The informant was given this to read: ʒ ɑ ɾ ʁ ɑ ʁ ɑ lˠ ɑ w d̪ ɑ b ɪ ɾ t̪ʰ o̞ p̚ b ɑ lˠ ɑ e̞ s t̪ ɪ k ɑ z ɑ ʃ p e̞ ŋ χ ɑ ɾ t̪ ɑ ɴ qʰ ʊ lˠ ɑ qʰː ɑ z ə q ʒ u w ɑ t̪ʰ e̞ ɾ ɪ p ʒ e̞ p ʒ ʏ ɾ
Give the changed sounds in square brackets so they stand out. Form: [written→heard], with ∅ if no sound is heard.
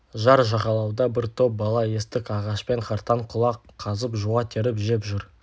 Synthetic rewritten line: ʒ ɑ ɾ [ʁ→ʒ] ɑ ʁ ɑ lˠ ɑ w d̪ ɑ b ɪ ɾ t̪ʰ o̞ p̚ b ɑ lˠ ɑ e̞ s t̪ ɪ k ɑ [z→ʁ] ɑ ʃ p e̞ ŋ χ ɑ ɾ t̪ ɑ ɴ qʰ ʊ lˠ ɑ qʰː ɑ z ə [q→p] ʒ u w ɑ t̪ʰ e̞ ɾ ɪ p ʒ e̞ p ʒ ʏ ɾ

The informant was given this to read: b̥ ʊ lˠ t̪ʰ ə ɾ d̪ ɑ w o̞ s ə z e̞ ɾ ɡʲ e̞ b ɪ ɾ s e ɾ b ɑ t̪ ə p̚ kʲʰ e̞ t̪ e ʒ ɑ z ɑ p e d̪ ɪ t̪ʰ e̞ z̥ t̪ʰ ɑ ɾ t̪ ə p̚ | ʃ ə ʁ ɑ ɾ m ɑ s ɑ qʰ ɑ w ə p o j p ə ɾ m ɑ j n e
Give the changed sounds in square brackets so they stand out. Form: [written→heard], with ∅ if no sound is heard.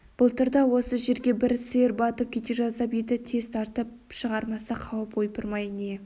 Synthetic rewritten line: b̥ ʊ lˠ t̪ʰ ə ɾ d̪ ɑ w o̞ s ə [z→ʒ] e̞ ɾ ɡʲ e̞ b ɪ ɾ s e ɾ b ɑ t̪ ə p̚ kʲʰ e̞ t̪ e ʒ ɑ z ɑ p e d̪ ɪ t̪ʰ e̞ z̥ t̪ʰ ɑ ɾ t̪ ə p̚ | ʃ ə ʁ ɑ ɾ m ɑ s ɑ qʰ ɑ w ə p o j p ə ɾ m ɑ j n e

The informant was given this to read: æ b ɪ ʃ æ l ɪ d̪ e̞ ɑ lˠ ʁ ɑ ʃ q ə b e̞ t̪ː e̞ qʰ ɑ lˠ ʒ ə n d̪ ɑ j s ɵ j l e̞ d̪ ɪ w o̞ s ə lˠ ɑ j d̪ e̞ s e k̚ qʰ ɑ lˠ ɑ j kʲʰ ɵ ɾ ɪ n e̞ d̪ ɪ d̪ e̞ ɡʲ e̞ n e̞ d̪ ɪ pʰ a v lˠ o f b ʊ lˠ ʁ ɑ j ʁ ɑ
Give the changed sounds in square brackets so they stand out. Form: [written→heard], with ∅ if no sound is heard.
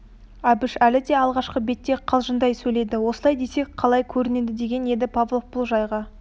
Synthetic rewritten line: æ b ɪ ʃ æ l ɪ d̪ e̞ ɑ lˠ ʁ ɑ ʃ q ə b e̞ t̪ː e̞ qʰ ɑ lˠ ʒ ə n d̪ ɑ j s ɵ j l e̞ d̪ ɪ w o̞ s ə lˠ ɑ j d̪ e̞ s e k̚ qʰ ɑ lˠ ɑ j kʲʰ ɵ ɾ ɪ n e̞ d̪ ɪ d̪ e̞ ɡʲ e̞ n e̞ d̪ ɪ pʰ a v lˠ o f b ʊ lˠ [ʁ→ʒ] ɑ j ʁ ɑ

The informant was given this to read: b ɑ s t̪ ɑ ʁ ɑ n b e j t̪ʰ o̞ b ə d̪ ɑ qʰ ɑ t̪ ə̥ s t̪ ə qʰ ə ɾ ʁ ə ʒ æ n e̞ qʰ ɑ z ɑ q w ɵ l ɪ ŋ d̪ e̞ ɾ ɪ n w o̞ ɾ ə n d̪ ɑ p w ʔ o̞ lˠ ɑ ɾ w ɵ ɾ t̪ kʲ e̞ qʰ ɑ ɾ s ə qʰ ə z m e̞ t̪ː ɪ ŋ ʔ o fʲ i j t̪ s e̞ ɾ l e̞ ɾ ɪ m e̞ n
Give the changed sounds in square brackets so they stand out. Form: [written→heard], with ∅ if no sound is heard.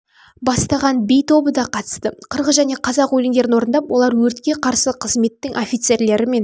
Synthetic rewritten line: b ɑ s t̪ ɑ ʁ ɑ n b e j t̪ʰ o̞ b ə d̪ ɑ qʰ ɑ t̪ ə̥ s t̪ ə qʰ ə ɾ ʁ ə ʒ æ n e̞ qʰ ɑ z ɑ q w ɵ l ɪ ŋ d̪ e̞ ɾ ɪ n w o̞ ɾ ə n d̪ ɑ p w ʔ o̞ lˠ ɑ ɾ w ɵ ɾ t̪ kʲ e̞ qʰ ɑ ɾ s ə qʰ ə z m e̞ t̪ː ɪ ŋ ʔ o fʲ i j t̪ s e̞ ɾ l e̞ ɾ ɪ m e̞ n

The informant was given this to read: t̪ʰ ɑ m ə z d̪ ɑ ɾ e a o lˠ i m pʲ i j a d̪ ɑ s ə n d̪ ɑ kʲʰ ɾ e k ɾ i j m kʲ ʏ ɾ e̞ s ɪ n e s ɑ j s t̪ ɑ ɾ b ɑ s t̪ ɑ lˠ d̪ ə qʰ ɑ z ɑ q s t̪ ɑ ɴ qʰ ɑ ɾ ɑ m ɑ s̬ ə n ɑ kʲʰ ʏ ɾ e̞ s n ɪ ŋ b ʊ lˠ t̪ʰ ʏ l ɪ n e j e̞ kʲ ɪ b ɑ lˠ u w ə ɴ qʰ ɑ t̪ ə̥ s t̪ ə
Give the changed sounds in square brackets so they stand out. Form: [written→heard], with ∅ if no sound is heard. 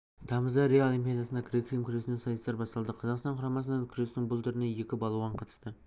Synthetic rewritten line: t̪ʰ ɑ m ə z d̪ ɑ ɾ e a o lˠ i m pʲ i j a d̪ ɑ s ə n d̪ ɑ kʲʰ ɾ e k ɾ i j m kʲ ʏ ɾ e̞ s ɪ n e s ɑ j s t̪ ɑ ɾ b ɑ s t̪ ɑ lˠ d̪ ə qʰ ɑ z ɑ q s t̪ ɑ ɴ qʰ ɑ ɾ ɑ m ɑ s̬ ə n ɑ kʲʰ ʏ ɾ e̞ s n ɪ ŋ b ʊ lˠ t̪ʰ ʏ [l→ɾ] ɪ n e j e̞ kʲ ɪ b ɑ lˠ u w [ə→ɑ] ɴ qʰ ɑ t̪ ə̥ s t̪ ə

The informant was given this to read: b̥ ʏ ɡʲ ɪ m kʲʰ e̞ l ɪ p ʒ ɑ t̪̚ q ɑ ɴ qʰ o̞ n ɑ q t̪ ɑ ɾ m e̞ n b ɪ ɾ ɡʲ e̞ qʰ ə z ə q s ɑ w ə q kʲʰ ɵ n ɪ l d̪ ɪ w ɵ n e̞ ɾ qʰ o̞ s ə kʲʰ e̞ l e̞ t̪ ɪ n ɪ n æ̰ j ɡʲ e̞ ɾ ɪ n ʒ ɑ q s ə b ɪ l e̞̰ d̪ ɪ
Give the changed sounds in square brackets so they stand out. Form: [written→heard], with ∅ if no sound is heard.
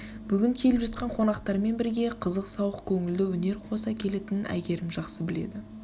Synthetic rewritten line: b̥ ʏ ɡʲ ɪ [m→ŋ] kʲʰ e̞ l ɪ p ʒ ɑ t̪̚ q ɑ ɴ qʰ o̞ n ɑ q t̪ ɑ ɾ m e̞ n b ɪ ɾ ɡʲ e̞ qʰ ə z ə q s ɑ w ə q kʲʰ ɵ [n→ŋ] ɪ l d̪ ɪ w ɵ n e̞ ɾ qʰ o̞ s [ə→ɑ] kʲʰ e̞ l e̞ t̪ ɪ n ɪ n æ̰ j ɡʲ e̞ ɾ ɪ [n→m] ʒ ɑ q s ə b ɪ l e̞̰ d̪ ɪ

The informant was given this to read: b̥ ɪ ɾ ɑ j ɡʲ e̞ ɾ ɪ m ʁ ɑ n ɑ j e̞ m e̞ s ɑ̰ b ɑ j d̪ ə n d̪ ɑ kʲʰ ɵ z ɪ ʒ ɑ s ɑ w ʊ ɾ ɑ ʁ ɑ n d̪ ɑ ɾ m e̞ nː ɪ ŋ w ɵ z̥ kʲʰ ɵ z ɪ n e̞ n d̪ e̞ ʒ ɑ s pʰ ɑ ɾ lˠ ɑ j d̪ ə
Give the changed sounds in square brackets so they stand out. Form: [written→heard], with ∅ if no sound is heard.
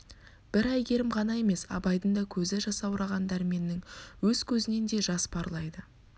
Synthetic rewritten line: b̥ ɪ ɾ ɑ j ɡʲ e̞ ɾ ɪ m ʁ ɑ n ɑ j e̞ m e̞ s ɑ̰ b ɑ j d̪ ə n d̪ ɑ kʲʰ ɵ z ɪ ʒ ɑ s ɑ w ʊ ɾ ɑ ʁ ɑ n d̪ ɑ ɾ m e̞ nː ɪ ŋ w ɵ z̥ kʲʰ ɵ z ɪ n e̞ n d̪ e̞ ʒ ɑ s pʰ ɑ ɾ lˠ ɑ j d̪ ə

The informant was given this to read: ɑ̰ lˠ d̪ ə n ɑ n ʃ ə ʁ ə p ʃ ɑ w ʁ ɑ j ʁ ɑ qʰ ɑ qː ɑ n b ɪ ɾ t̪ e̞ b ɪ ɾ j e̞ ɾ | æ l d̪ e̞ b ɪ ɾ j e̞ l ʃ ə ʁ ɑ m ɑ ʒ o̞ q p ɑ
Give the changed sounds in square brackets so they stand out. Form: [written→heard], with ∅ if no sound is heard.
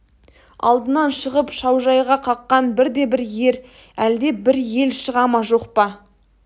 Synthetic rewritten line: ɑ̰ lˠ d̪ ə n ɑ n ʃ ə ʁ ə p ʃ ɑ w [ʁ→ʒ] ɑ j ʁ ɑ qʰ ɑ qː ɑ n b ɪ ɾ [t̪→d̪] e̞ b ɪ ɾ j e̞ ɾ | æ l d̪ e̞ b ɪ ɾ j e̞ l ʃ ə ʁ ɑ m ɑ ʒ o̞ q p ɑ

